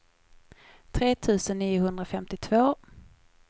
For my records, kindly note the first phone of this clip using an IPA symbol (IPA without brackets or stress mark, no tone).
t̪ʰ